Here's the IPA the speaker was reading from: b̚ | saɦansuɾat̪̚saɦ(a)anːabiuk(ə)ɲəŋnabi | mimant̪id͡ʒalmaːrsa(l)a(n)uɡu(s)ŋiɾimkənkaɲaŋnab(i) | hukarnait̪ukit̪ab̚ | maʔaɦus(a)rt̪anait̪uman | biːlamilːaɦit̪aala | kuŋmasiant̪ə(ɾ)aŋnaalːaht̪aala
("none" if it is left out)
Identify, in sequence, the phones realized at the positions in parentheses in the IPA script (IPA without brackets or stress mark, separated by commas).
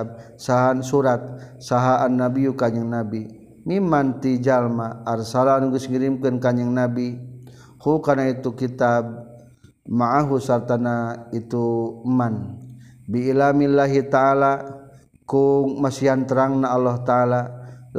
a, a, l, n, s, i, a, ɾ